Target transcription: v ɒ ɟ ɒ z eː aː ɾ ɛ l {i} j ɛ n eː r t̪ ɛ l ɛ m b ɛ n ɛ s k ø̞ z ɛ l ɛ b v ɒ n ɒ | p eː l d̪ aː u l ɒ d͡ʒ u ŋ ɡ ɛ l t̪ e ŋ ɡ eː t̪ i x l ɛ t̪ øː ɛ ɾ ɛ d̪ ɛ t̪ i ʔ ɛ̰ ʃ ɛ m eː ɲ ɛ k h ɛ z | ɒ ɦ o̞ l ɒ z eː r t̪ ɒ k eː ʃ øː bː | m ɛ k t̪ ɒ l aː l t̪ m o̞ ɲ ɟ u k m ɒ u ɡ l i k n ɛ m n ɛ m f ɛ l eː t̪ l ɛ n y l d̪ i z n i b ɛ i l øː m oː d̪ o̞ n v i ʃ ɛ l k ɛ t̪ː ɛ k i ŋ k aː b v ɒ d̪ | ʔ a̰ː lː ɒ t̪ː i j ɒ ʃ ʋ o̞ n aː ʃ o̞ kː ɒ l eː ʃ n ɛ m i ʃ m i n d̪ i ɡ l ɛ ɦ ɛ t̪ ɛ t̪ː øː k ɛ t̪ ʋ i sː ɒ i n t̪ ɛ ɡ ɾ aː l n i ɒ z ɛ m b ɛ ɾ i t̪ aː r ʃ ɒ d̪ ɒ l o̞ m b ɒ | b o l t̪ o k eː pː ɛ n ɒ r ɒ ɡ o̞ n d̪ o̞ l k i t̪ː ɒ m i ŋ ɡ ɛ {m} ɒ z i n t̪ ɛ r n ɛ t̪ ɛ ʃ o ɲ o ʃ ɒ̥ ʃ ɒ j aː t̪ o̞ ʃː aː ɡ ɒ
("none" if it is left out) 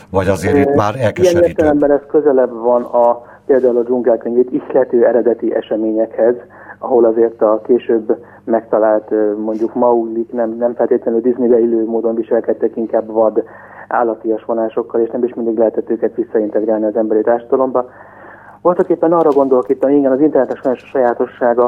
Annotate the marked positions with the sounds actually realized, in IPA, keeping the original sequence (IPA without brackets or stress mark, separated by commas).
i, n